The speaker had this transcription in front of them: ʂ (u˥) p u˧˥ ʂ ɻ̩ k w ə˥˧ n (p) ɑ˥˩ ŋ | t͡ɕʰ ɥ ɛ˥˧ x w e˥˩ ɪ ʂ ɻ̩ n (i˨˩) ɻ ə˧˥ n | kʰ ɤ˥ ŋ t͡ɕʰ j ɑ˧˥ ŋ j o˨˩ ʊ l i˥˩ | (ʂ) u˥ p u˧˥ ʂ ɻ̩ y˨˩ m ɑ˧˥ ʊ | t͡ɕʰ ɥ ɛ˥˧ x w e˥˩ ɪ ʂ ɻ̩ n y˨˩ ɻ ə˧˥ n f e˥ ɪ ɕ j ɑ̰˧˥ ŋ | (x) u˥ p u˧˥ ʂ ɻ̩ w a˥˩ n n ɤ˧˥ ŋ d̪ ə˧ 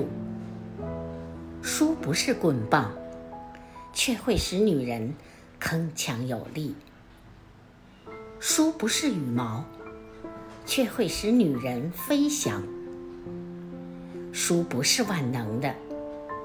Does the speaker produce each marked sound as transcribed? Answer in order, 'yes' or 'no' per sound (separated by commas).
yes, yes, no, yes, no